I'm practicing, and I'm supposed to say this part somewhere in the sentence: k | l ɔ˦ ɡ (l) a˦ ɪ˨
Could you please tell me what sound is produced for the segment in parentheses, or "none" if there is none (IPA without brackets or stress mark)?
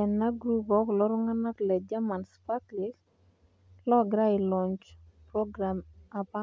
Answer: ɾ